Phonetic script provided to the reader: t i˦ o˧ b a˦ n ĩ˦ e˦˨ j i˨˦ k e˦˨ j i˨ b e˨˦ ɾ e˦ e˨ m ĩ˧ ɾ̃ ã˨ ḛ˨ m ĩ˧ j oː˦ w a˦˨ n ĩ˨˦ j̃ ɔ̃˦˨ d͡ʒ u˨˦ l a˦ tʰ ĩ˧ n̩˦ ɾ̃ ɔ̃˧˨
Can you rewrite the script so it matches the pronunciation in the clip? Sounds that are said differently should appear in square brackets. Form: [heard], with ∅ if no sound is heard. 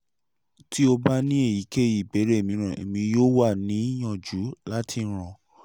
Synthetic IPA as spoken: t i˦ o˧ b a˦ n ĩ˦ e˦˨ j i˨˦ k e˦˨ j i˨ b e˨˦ ɾ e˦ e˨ m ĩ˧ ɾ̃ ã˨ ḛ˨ m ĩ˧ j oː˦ w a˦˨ n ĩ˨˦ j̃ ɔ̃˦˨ d͡ʒ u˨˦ l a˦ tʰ [i˧] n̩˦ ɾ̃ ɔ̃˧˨